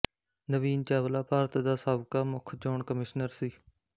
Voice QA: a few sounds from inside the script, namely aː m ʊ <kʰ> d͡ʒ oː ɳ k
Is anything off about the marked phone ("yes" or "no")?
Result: no